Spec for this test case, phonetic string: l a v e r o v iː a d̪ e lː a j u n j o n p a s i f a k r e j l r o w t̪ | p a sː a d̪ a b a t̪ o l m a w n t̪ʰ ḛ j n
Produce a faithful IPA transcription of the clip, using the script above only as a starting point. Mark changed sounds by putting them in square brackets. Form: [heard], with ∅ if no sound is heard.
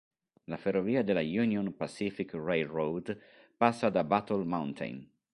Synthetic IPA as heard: l a [f] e r o v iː a d̪ e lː a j u n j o n p a s i f [i] k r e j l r o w [d̪] | p a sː a d̪ a b a t̪ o l m a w n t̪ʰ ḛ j n

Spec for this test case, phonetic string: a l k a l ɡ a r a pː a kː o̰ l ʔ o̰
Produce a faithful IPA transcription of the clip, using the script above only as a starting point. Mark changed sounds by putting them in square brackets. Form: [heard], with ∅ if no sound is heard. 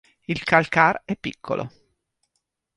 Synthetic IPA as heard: [i] l k a l [k] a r [ɛ] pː [i] kː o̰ l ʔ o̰

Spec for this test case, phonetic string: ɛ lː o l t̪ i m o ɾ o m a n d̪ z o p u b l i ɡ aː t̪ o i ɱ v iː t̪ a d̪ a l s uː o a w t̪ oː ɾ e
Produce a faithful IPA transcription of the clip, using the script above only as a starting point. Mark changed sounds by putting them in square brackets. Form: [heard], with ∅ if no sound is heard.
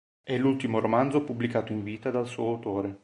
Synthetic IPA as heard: ɛ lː [u] l t̪ i m o ɾ o m a n d̪ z o p u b l i [k] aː t̪ o i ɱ v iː t̪ a d̪ a l s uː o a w t̪ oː ɾ e

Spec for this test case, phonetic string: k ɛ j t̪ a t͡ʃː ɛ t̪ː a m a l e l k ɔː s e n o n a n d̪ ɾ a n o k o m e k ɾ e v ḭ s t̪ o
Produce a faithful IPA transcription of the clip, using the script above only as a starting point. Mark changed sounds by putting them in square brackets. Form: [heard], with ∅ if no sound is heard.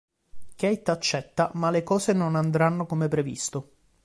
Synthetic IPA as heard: k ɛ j t̪ a t͡ʃː ɛ t̪ː a m a l e [∅] k ɔː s e n o n a n d̪ ɾ a [nː] o k o m e [p] ɾ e v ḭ s t̪ o

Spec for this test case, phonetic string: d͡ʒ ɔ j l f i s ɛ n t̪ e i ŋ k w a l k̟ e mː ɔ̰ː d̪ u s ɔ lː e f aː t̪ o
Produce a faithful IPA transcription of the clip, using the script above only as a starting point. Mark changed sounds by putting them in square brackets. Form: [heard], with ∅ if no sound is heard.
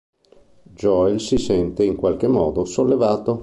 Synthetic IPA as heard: d͡ʒ ɔ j l [s] i s ɛ n t̪ e i ŋ k w a l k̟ e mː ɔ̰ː d̪ [o] s [o] lː e [v] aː t̪ o

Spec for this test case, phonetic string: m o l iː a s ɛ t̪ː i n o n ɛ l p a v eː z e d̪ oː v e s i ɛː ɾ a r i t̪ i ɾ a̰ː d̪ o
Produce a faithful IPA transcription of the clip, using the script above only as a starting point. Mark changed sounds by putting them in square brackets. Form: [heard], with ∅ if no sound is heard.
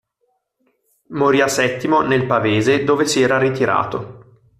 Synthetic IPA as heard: m o [ɾ] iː a s ɛ t̪ː i [m] o n [e] l p a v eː z e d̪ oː v e s i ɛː ɾ a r i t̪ i ɾ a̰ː [t̪] o

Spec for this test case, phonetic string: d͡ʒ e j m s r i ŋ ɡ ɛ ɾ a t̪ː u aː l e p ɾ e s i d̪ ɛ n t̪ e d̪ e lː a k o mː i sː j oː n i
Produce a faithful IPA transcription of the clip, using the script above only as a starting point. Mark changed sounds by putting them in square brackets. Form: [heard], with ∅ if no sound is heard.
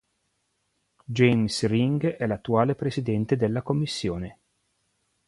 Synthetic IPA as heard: d͡ʒ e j m s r i ŋ ɡ ɛ [l] a t̪ː u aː l e p ɾ e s i d̪ ɛ n t̪ e d̪ e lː a k o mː i sː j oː n [e]

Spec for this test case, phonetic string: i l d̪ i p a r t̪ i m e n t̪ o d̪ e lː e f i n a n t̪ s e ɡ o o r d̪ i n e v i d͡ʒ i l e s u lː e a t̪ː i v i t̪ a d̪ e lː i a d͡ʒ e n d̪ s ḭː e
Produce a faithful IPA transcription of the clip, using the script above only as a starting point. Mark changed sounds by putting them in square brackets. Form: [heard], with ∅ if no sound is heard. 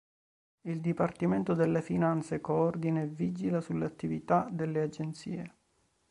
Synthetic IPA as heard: i l d̪ i p a r t̪ i m e n t̪ o d̪ e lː e f i n a n t̪ s e [k] o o r d̪ i n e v i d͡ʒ i l [a] s u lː e a t̪ː i v i t̪ a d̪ e lː [e] a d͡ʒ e n [t̪] s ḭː e

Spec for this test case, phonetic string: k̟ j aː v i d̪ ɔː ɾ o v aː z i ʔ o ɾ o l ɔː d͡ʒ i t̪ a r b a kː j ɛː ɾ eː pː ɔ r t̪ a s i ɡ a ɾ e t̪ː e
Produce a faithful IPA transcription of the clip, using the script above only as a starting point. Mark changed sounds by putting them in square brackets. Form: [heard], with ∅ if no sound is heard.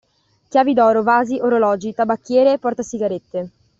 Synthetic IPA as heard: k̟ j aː v i d̪ ɔː ɾ o v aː z i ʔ o ɾ o l ɔː d͡ʒ i t̪ a [∅] b a kː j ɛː ɾ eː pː ɔ r t̪ a s i ɡ a ɾ e t̪ː e

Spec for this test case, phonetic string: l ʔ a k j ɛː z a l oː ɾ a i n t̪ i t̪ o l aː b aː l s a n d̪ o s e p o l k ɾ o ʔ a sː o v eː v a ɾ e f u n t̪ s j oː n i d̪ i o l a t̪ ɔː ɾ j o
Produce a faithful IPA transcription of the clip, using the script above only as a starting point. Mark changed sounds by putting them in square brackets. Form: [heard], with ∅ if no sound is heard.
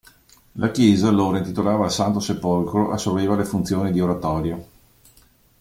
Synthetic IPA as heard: l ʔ a k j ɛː z a l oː ɾ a i n t̪ i t̪ o l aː [v] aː l s a n [t̪] o s e p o l k ɾ o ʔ a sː o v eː v a [l] e f u n t̪ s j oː n i d̪ i o [ɾ] a t̪ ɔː ɾ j o

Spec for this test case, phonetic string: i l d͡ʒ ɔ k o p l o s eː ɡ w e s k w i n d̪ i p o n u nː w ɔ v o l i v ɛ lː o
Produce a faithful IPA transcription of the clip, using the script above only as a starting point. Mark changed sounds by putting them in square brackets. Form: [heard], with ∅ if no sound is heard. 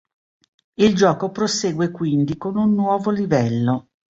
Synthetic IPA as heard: i l d͡ʒ [ɔː] k o p [ɾ] o s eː ɡ w e [∅] k w i n d̪ i [k] o n u nː w [ɔː] v o l i v ɛ lː o

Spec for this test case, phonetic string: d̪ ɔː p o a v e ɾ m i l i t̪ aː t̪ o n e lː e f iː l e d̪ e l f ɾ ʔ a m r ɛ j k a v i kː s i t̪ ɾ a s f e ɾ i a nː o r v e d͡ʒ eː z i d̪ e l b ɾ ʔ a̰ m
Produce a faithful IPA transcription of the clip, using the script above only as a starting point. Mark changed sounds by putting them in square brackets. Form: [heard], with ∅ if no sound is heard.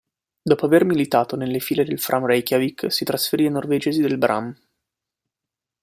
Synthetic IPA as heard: d̪ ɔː p o a v e [r] m i l i t̪ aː t̪ o n e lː e f iː l e d̪ e l f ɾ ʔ a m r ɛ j k a v i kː s i t̪ ɾ a s f e ɾ i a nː o r v e d͡ʒ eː z i d̪ e l b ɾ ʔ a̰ m

